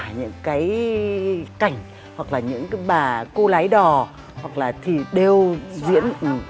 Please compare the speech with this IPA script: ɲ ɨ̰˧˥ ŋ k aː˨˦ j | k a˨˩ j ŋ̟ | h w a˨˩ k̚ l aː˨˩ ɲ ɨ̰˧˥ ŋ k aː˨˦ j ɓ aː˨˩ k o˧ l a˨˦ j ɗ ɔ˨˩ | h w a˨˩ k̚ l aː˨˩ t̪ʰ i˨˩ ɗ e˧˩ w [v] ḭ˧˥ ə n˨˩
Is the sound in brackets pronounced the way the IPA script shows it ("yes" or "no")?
no